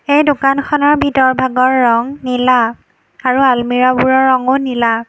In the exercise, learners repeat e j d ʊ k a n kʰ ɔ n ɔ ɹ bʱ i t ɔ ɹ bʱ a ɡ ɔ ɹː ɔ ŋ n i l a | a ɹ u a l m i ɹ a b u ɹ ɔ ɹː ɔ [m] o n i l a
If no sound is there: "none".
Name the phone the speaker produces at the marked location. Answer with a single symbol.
ŋ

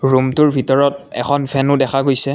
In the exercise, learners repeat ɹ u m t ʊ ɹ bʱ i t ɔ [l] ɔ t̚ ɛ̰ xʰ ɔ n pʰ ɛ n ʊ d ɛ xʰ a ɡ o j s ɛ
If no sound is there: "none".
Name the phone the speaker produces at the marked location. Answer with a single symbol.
ɹ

